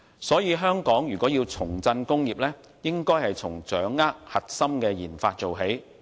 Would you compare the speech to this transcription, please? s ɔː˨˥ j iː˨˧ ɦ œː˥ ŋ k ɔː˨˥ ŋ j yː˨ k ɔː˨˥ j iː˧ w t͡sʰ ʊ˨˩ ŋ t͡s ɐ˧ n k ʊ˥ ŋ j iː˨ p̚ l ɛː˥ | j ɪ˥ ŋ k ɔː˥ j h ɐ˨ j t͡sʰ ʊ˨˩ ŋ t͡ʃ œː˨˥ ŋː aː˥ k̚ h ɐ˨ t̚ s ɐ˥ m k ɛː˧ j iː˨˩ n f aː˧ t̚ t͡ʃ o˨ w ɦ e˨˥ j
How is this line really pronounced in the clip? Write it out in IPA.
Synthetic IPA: s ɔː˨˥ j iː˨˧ ɦ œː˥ ŋ k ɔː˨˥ ŋ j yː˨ k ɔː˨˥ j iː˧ w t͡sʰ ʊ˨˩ ŋ t͡s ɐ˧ n k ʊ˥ ŋ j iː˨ p̚ l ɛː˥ | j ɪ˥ ŋ k ɔː˥ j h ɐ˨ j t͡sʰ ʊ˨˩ ŋ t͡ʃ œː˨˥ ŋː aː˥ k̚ h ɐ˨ t̚ s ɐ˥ m k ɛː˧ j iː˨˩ n f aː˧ t̚ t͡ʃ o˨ w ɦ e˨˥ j